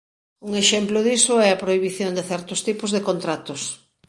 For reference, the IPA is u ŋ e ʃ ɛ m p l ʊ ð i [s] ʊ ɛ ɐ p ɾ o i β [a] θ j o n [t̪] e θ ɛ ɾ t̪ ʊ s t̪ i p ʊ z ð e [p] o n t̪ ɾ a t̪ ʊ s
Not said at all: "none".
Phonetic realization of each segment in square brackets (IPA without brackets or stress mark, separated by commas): s, i, d̪, k